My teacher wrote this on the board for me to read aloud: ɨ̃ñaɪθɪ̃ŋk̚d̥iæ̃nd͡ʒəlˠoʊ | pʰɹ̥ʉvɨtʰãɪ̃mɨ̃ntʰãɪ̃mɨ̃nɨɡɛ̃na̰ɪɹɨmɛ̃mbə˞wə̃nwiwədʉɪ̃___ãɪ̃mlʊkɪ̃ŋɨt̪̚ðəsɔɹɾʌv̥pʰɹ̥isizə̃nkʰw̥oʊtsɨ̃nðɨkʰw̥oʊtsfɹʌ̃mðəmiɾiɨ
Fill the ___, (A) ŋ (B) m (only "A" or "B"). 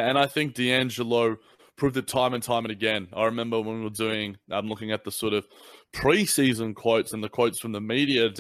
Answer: A